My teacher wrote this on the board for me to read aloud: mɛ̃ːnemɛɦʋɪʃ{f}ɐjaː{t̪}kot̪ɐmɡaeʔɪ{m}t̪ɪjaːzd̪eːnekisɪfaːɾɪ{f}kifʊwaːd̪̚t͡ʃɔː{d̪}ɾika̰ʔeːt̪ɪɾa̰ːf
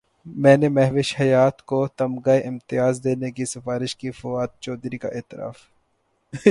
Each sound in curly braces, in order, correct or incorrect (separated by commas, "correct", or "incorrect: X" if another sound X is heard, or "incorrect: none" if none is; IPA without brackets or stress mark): incorrect: h, correct, correct, incorrect: ʃ, correct